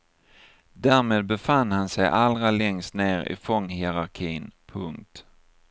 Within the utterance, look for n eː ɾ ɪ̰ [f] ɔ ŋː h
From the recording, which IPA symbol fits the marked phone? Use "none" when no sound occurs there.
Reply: f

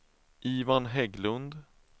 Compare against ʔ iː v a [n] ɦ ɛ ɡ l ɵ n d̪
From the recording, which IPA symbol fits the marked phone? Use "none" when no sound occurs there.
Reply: n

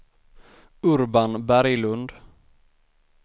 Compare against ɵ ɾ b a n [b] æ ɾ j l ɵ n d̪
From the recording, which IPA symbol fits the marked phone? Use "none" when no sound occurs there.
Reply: b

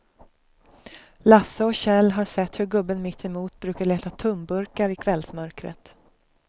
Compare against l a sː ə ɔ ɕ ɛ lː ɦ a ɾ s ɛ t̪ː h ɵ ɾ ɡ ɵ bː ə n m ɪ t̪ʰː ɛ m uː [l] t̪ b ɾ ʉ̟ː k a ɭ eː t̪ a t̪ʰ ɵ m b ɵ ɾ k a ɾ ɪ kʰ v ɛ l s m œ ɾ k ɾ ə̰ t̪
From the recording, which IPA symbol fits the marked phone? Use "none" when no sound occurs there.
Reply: none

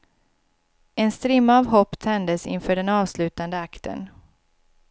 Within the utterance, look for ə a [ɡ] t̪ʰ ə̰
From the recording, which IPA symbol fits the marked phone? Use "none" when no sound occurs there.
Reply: k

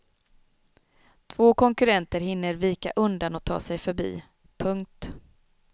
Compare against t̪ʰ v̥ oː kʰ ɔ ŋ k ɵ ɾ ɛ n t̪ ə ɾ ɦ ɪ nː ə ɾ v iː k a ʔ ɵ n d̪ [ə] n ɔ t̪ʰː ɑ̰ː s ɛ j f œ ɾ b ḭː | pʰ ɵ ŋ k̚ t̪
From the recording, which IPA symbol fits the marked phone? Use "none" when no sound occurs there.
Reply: a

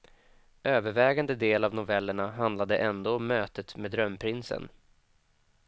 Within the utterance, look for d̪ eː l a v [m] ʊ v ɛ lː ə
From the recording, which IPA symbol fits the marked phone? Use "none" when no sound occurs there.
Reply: n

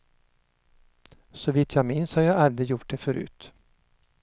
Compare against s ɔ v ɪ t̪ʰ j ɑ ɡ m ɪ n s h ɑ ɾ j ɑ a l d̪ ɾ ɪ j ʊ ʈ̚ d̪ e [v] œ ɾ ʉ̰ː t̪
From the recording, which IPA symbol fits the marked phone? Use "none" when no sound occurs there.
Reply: f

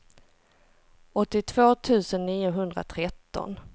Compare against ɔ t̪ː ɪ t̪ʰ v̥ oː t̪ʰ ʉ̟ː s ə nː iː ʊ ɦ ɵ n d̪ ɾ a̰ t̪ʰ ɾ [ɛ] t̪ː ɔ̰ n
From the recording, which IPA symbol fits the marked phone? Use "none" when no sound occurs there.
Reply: ɛ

